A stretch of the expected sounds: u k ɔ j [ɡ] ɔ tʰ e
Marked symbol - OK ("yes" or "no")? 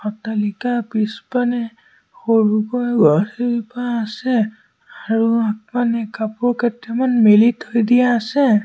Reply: yes